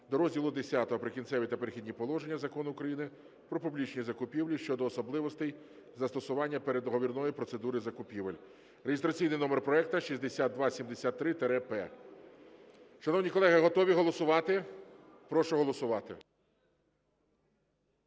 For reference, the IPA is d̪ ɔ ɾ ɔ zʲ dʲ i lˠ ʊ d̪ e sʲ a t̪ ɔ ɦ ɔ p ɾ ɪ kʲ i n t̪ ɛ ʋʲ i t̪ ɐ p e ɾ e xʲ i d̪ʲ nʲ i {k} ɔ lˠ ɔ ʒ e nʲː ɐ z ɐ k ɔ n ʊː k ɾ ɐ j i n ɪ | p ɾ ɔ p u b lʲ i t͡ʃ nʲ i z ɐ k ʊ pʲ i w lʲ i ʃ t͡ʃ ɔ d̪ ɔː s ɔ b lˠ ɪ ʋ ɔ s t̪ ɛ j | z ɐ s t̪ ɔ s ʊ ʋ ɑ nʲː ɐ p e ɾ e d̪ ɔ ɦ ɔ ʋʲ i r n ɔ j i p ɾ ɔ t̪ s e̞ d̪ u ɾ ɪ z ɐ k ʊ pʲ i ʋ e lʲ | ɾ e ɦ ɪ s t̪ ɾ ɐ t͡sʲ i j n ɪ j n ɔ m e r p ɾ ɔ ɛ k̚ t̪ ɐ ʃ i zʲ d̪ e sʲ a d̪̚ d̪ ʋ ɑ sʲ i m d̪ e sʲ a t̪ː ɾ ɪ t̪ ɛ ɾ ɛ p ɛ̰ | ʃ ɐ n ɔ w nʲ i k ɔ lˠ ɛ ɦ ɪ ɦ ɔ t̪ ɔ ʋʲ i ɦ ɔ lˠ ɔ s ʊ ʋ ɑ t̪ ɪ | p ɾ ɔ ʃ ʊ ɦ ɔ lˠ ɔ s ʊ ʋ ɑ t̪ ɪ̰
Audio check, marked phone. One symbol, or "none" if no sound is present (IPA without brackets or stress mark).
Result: p